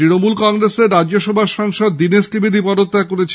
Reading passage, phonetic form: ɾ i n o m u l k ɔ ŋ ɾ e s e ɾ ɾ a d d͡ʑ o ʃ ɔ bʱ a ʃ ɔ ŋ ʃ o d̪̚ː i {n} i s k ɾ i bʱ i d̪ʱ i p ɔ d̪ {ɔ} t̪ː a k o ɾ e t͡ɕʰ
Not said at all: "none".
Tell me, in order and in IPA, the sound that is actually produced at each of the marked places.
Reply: n, o

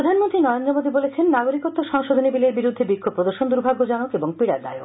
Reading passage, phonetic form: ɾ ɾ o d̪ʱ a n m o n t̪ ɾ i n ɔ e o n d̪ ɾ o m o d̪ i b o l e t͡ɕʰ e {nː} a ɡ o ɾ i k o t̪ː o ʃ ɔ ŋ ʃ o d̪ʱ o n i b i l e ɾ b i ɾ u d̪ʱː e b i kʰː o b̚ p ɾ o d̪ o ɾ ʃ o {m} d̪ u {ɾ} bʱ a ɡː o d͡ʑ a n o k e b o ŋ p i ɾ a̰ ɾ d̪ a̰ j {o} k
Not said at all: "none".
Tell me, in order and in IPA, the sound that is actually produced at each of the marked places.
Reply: nː, n, ɾ, o

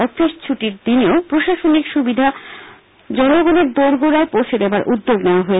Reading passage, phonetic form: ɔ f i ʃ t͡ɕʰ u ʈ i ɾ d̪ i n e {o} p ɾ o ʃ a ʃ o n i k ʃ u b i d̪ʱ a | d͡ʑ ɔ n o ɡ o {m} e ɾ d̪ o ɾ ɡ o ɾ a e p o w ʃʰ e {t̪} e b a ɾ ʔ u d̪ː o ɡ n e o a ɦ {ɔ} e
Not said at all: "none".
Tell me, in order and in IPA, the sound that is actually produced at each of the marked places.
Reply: o, n, d̪, o

